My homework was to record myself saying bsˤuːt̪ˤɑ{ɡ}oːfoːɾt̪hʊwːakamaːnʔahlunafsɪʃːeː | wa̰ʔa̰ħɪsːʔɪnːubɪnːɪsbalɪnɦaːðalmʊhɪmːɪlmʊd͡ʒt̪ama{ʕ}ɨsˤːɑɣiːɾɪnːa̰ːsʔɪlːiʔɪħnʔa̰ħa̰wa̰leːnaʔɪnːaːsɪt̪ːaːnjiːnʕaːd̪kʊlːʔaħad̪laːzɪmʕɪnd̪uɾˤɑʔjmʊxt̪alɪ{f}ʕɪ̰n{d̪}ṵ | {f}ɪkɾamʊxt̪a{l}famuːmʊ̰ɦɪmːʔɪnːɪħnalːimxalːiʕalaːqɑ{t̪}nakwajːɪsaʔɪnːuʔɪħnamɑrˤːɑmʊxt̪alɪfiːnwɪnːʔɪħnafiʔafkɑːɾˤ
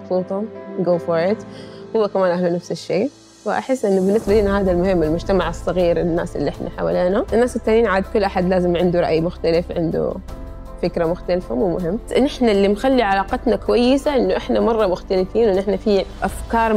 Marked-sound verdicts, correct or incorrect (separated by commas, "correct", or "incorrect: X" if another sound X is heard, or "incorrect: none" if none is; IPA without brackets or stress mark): correct, correct, correct, correct, correct, correct, correct